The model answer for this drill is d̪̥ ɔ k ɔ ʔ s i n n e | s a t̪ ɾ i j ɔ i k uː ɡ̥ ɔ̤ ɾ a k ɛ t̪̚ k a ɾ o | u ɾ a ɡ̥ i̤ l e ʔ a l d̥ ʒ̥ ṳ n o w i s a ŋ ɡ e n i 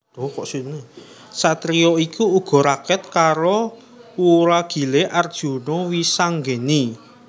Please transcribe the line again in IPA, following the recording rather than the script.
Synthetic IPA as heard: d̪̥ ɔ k ɔ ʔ s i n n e | s a t̪ ɾ i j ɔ i k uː ɡ̥ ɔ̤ ɾ a k ɛ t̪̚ k a ɾ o | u ɾ a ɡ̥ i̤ l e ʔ a r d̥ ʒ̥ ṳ n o w i s a ŋ ɡ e n i